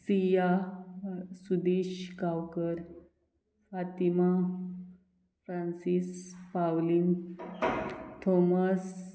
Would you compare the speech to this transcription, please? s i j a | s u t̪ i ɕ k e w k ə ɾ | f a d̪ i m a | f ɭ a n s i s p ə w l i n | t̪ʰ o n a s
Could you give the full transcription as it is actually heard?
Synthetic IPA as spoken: s i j a | s u d̪ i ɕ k a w k ə ɾ | f a t̪ i m a | f ɾ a n s i s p a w l i n | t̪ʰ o m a s